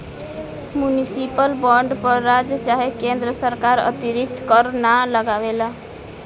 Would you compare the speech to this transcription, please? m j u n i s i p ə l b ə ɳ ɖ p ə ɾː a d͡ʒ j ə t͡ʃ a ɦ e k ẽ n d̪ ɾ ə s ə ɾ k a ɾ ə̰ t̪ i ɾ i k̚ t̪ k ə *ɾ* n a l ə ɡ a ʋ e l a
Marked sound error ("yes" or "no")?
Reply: no